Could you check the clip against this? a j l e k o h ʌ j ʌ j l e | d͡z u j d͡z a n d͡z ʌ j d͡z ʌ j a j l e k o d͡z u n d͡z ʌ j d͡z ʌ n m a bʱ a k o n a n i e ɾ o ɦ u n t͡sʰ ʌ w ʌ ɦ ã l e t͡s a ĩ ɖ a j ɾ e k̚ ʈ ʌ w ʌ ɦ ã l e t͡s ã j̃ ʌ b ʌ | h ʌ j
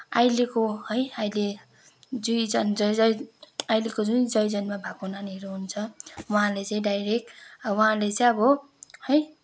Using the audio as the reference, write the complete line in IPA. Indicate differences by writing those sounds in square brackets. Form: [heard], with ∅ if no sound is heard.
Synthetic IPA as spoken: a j l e k o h ʌ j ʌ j l e | d͡z u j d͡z [ʌ] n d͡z ʌ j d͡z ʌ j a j l e k o d͡z u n d͡z ʌ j d͡z ʌ n m a bʱ a k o n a n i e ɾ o ɦ u n t͡sʰ ʌ w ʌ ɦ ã l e t͡s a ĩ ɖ a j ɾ e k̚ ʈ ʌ w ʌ ɦ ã l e t͡s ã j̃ ʌ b ʌ | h ʌ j